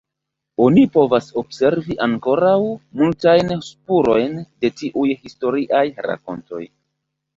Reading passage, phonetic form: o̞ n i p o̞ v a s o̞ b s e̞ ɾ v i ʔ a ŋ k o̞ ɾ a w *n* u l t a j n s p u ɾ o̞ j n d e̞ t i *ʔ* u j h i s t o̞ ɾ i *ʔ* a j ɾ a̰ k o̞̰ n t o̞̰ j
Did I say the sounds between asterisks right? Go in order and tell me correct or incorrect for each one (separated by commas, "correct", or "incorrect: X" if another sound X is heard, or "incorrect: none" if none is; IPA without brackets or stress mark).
incorrect: m, correct, correct